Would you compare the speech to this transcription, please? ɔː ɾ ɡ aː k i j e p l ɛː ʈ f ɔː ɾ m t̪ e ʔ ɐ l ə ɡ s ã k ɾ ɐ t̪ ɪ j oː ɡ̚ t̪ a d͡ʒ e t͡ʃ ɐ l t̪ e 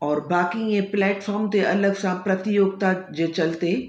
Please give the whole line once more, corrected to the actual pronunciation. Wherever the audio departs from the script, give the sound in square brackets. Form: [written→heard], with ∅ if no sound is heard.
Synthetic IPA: ɔː ɾ [ɡ→b] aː k i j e p l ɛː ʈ f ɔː ɾ m t̪ e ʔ ɐ l ə ɡ s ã [k→p] ɾ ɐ t̪ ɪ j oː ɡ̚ t̪ a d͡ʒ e t͡ʃ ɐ l t̪ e